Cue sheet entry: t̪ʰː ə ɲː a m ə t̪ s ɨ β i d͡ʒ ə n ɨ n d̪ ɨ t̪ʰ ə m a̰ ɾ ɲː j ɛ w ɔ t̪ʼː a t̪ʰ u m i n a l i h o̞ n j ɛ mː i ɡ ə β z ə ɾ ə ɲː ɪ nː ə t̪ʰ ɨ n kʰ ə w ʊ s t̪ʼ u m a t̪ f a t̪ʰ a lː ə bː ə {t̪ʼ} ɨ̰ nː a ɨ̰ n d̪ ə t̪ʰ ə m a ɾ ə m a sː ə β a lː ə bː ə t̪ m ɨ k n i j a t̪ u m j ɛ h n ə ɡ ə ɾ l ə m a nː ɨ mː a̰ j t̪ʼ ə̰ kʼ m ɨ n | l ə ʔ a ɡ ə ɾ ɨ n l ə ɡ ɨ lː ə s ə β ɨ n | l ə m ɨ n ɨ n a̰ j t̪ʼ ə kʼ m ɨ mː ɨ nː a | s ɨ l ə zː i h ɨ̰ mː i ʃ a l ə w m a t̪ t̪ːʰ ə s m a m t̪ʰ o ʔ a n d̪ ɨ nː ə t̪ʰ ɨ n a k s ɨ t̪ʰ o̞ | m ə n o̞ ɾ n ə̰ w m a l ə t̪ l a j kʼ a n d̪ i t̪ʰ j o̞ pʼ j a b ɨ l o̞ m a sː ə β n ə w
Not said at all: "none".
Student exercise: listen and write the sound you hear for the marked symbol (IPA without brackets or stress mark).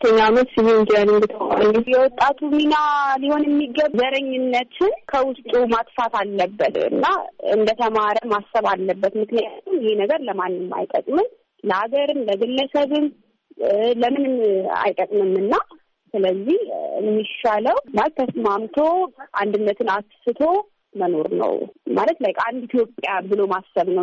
t̪